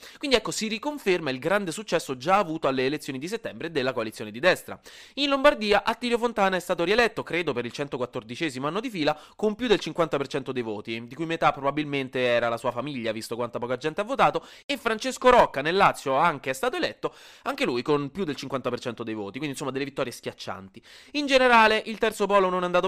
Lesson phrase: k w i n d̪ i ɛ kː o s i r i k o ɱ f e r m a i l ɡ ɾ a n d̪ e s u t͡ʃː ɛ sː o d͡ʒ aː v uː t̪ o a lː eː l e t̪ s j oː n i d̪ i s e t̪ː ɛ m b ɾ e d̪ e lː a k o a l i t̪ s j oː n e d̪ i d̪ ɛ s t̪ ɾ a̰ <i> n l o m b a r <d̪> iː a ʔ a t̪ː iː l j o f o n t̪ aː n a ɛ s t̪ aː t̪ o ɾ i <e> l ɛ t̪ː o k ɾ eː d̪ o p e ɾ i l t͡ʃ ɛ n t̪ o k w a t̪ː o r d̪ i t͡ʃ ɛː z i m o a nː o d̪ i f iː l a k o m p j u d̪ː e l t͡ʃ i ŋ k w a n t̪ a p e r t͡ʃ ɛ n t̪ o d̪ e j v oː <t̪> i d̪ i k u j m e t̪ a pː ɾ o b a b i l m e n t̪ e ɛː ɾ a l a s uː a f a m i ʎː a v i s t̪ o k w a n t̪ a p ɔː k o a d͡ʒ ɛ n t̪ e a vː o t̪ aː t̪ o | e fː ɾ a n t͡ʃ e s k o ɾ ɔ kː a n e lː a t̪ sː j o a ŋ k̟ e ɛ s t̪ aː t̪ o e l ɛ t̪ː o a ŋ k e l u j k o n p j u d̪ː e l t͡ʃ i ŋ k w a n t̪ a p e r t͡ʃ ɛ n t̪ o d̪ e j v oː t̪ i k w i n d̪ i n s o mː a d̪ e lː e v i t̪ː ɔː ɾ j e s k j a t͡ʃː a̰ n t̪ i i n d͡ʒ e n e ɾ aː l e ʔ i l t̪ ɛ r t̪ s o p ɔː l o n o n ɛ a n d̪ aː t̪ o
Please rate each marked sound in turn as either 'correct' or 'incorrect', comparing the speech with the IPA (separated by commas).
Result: correct, correct, correct, correct